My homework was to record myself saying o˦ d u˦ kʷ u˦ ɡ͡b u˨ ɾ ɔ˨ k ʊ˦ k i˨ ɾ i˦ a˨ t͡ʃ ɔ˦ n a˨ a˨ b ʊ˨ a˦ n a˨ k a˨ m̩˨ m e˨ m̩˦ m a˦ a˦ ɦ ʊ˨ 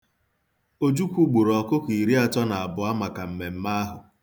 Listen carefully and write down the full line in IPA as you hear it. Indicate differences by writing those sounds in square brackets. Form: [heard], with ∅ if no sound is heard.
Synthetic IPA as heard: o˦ [d͡ʒ] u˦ kʷ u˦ ɡ͡b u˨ ɾ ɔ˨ k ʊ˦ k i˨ ɾ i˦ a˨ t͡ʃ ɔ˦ n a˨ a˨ b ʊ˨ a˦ [m] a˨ k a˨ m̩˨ m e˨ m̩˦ m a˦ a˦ ɦ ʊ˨